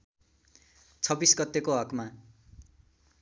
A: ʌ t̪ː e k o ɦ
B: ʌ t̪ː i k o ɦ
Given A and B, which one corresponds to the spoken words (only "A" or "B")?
A